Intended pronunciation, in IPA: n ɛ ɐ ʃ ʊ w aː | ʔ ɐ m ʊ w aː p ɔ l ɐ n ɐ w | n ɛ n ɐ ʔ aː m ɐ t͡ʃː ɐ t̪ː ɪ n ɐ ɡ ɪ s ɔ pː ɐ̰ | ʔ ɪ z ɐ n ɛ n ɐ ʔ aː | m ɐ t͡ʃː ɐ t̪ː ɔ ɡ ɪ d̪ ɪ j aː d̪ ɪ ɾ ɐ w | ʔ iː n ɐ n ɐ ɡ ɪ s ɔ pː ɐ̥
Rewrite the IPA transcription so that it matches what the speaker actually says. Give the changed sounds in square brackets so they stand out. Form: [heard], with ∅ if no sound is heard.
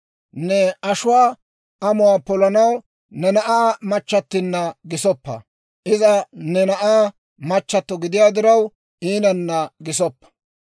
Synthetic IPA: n ɛ ɐ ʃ ʊ w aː | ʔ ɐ m ʊ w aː p ɔ l ɐ n ɐ w | n ɛ n ɐ ʔ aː m ɐ t͡ʃː ɐ t̪ː ɪ [nː] ɐ ɡ ɪ s ɔ pː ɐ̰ | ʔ ɪ z ɐ n ɛ n ɐ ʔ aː | m ɐ t͡ʃː ɐ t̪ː ɔ ɡ ɪ d̪ ɪ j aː d̪ ɪ ɾ ɐ w | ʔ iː n ɐ [nː] ɐ ɡ ɪ s ɔ pː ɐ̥